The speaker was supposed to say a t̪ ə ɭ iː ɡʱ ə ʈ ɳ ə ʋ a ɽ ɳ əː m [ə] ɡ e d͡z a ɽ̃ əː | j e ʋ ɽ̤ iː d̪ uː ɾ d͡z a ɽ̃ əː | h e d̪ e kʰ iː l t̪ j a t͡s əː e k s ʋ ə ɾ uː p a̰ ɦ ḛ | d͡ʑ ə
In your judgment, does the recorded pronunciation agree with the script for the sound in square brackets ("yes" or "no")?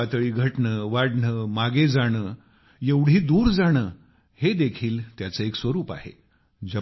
no